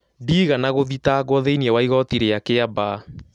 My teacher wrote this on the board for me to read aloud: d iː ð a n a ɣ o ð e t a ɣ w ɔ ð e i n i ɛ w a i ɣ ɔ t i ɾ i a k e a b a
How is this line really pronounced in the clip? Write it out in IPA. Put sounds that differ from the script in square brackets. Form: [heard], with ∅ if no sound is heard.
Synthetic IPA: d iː [ɣ] a n a ɣ o ð [i] t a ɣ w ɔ ð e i n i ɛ w a i ɣ ɔ t i ɾ [e] a k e a b a